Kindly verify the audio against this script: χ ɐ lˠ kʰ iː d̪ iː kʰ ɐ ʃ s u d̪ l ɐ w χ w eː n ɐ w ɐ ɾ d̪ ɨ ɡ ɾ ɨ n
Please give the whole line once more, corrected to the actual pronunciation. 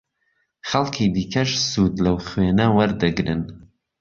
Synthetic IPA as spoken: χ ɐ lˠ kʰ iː d̪ iː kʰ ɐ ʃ s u d̪ l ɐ w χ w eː n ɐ w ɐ ɾ d̪ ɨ ɡ ɾ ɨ n